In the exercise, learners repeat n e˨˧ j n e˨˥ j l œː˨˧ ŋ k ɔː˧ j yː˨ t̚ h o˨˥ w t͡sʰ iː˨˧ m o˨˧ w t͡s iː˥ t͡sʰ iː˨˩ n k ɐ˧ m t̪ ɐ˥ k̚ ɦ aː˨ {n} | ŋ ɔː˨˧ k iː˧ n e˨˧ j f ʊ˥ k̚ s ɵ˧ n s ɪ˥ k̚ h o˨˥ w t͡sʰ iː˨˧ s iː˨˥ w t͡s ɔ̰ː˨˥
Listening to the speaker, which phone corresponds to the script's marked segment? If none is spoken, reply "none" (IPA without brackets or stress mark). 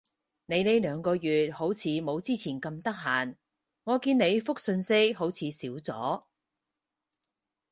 n